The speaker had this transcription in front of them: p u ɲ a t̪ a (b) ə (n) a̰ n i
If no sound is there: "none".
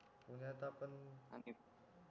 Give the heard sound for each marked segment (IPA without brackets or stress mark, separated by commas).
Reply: p, n